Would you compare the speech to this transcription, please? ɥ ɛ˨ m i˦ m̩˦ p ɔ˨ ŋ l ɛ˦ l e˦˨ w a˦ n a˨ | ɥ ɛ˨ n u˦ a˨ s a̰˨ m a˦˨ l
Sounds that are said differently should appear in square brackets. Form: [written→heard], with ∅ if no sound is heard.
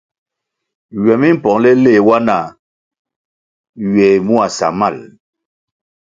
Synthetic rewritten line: ɥ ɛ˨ m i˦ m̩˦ p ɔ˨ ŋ l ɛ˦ l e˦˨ w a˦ n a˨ | ɥ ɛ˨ [n→m] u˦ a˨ s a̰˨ m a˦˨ l